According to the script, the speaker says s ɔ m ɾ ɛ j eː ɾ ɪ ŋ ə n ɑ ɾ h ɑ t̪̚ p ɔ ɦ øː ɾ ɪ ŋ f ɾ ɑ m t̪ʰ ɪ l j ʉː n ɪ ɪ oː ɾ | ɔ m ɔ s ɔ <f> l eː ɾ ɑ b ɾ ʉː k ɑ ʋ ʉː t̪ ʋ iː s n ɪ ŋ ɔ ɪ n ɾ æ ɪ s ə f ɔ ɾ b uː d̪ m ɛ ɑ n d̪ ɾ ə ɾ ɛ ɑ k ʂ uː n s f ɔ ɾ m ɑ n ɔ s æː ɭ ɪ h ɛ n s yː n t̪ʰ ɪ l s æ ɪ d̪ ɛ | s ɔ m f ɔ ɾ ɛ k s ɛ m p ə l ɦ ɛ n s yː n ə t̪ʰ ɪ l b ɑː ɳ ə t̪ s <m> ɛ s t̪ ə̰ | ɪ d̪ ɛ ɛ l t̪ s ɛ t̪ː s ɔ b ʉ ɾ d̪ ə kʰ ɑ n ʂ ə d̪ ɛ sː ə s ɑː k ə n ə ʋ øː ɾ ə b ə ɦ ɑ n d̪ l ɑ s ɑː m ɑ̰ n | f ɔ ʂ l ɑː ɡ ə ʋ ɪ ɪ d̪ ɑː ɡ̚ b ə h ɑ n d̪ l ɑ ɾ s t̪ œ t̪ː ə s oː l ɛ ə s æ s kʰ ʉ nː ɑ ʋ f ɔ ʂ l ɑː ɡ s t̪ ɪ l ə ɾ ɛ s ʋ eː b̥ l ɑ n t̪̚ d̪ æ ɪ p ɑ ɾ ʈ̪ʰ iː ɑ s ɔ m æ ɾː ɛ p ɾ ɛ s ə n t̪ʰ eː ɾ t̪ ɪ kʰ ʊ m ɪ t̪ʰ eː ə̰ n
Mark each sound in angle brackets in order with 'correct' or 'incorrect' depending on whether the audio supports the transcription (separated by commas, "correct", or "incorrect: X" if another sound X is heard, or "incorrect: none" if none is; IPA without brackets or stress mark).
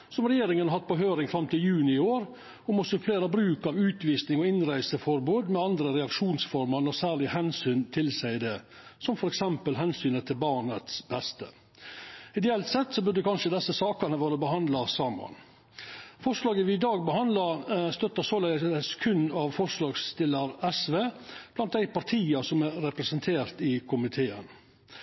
correct, incorrect: b